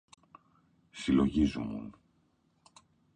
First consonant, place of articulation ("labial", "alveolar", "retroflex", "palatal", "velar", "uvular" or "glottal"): alveolar